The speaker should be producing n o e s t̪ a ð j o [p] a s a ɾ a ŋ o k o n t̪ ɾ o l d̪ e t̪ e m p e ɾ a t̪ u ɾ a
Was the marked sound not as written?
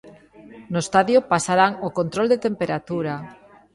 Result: no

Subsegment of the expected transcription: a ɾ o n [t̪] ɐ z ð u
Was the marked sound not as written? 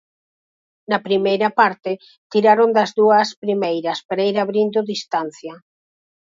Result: yes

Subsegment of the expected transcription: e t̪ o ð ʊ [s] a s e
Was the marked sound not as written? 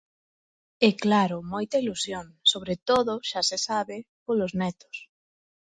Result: yes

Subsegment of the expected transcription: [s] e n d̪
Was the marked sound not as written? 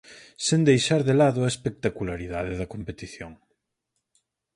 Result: no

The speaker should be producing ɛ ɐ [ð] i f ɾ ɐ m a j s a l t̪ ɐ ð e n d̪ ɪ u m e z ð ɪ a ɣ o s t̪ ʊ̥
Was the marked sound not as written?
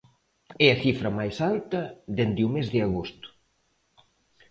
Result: yes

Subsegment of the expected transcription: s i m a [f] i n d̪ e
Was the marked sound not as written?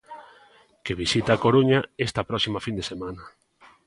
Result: no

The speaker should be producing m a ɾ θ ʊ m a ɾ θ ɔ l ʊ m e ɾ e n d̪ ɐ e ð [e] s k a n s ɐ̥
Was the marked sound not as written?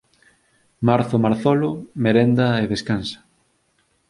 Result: no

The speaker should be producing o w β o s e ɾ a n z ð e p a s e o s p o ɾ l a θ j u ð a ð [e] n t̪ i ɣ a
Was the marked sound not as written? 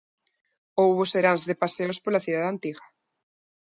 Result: yes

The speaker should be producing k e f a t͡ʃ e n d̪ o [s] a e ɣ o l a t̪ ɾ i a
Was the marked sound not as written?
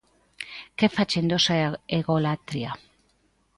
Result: no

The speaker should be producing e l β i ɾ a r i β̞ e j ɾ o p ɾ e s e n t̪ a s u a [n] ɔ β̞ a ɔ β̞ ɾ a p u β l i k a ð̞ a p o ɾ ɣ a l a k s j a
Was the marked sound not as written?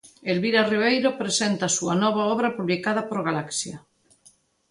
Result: no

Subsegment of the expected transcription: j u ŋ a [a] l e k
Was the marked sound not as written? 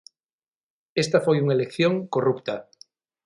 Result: yes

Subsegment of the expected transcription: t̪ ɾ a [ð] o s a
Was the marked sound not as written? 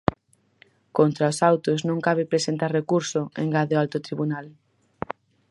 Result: yes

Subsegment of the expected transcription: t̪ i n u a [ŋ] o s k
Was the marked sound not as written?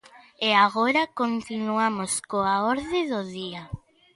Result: yes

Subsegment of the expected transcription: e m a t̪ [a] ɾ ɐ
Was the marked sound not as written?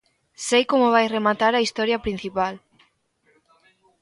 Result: no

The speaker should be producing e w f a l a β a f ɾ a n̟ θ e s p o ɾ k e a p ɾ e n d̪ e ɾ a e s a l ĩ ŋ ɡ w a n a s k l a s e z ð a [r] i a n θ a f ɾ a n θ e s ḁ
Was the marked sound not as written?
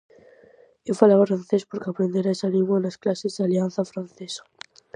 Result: yes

